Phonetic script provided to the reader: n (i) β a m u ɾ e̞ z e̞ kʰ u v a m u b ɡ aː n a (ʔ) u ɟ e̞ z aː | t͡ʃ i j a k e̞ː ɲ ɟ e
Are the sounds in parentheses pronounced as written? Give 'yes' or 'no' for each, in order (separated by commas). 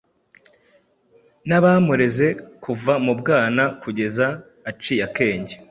no, no